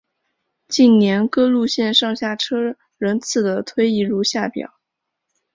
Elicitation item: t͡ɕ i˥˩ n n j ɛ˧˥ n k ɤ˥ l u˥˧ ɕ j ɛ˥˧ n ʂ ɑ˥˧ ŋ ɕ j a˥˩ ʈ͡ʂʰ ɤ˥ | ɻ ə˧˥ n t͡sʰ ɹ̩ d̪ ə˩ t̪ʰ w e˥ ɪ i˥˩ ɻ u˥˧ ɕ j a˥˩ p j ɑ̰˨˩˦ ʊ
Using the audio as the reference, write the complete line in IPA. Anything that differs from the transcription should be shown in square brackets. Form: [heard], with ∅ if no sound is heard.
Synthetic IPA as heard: t͡ɕ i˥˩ n n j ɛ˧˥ n k ɤ˥ l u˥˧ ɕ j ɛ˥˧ n ʂ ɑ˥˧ ŋ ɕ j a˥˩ ʈ͡ʂʰ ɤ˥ | ɻ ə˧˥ n t͡sʰ ɹ̩ d̪ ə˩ t̪ʰ w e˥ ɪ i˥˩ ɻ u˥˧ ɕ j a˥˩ p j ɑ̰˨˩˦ ʊ